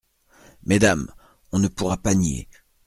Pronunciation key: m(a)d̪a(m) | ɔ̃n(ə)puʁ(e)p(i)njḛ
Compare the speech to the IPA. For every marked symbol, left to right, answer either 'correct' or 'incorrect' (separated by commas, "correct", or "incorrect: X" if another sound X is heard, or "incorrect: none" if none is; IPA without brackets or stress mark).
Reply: incorrect: e, correct, correct, incorrect: a, incorrect: a